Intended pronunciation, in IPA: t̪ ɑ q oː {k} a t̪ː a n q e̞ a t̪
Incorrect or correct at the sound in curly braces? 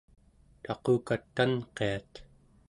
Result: correct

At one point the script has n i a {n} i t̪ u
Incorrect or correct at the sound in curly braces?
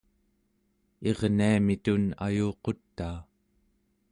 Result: incorrect: m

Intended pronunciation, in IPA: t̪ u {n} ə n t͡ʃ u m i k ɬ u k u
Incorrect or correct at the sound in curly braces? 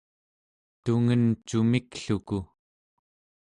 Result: incorrect: ŋ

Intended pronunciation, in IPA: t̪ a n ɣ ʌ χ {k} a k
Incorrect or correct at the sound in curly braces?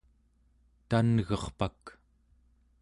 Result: incorrect: p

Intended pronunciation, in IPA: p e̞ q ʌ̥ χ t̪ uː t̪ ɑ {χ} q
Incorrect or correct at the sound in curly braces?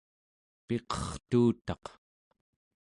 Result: incorrect: none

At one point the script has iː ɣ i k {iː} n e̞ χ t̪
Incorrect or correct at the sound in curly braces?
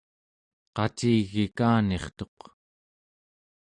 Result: incorrect: aː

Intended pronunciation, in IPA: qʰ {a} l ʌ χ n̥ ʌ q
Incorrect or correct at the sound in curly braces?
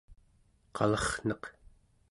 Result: incorrect: ɑ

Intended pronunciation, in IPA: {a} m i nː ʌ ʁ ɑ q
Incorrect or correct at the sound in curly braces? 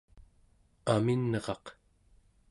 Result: correct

